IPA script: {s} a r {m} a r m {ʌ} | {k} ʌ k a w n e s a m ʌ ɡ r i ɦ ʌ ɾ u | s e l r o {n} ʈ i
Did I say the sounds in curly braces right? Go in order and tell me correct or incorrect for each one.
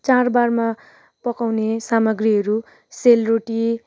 incorrect: t͡s, incorrect: b, incorrect: a, incorrect: p, incorrect: none

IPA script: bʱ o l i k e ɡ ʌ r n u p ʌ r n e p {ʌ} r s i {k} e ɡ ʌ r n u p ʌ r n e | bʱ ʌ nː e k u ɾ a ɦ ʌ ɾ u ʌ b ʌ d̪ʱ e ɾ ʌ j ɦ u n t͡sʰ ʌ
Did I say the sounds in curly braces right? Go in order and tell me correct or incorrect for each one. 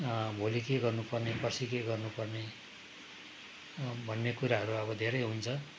correct, correct

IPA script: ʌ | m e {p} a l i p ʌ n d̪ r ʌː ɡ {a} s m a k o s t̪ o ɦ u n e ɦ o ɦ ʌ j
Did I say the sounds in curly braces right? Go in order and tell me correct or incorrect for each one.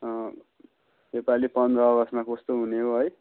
correct, incorrect: ʌ

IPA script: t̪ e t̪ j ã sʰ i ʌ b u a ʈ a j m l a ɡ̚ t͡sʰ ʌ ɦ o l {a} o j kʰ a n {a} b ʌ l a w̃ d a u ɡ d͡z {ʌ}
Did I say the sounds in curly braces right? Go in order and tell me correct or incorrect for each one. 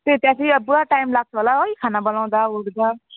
correct, correct, incorrect: a

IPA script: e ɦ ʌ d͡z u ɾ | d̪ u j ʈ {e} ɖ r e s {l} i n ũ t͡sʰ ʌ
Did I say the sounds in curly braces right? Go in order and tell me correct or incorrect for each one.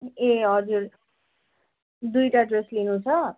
incorrect: a, correct

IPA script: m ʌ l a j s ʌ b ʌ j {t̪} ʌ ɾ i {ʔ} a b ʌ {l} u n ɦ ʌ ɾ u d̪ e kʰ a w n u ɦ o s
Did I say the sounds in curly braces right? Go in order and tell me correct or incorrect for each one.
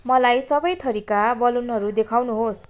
incorrect: t̪ʰ, incorrect: k, correct

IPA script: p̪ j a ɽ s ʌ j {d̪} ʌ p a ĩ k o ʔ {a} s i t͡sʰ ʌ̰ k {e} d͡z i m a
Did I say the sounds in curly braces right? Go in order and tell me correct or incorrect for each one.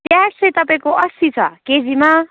incorrect: t̪, incorrect: ʌ, correct

